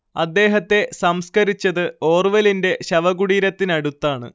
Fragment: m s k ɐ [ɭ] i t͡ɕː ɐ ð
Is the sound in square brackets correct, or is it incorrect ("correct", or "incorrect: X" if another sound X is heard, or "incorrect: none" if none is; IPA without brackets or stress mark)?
incorrect: ɾ